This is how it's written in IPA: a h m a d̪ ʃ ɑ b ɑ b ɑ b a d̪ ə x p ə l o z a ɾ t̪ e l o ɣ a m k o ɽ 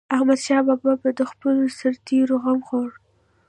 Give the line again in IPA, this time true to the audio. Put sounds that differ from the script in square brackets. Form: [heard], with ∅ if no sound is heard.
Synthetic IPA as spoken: a h m a d̪ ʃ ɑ b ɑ b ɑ b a d̪ ə x p ə l o [s] a ɾ t̪ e [ɾ] o ɣ a m [x] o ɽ